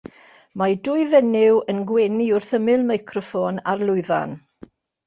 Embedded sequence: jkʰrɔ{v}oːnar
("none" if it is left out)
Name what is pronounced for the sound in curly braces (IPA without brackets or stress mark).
f